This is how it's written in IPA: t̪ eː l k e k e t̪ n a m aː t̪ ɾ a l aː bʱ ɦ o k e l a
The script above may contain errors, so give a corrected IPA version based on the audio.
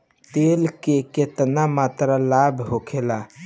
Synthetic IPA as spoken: t̪ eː l k e k e t̪ n a m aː t̪ ɾ a l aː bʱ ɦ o kʰ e l a